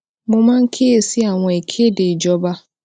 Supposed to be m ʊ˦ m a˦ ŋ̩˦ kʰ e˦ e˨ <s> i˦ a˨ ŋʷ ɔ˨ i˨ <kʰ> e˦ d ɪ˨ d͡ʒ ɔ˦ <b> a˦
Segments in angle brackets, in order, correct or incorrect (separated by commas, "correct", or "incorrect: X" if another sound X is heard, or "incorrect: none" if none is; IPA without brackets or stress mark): correct, correct, correct